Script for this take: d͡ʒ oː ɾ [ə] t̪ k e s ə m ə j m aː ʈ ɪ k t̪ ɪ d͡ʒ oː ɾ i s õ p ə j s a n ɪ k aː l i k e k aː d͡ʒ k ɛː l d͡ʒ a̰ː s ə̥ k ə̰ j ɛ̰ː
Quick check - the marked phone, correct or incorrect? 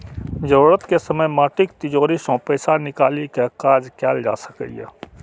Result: correct